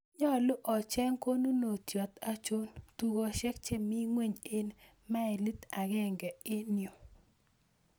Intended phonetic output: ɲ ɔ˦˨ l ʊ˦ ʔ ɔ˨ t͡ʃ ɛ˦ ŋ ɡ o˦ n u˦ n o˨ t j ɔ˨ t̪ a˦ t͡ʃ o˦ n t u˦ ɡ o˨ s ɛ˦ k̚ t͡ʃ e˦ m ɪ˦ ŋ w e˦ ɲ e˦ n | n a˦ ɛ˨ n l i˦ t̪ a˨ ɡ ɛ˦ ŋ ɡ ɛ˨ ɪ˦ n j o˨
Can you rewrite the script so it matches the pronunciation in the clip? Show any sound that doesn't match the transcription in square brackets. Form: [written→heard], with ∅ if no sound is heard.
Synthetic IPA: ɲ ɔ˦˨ l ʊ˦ ʔ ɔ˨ t͡ʃ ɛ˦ ŋ [ɡ→k] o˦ n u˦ n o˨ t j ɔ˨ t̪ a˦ t͡ʃ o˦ n t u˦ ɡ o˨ [s→ʃ] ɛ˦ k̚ t͡ʃ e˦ m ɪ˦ ŋ w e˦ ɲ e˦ n | [n→m] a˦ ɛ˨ [n→∅] l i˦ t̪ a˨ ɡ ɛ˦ ŋ ɡ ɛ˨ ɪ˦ n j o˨